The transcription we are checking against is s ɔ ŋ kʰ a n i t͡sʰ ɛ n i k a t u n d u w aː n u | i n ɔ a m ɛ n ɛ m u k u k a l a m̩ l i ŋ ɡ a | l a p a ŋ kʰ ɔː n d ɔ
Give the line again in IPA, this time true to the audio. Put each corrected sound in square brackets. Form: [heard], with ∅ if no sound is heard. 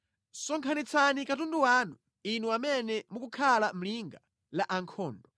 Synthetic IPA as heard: s ɔ ŋ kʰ a n i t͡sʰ [a] n i k a t u n d u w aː n u | i n [u] a m ɛ n ɛ m u k u [kʰ] a l a m̩ l i ŋ ɡ a | l a [ʔ] a ŋ kʰ ɔː n d ɔ